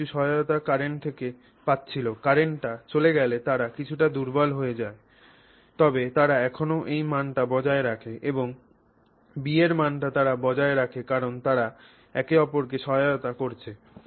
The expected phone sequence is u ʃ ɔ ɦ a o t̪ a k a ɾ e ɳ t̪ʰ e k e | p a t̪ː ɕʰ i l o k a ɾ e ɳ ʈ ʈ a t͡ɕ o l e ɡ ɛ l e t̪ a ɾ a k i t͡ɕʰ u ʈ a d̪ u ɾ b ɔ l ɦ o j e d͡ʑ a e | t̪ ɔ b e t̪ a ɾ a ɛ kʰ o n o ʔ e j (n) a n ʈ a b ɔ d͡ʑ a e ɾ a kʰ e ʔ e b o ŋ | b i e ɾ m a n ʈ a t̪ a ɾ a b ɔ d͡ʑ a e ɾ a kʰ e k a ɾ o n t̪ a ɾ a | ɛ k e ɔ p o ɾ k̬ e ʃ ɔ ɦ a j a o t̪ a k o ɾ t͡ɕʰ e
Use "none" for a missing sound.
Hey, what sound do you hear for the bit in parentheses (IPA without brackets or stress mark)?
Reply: m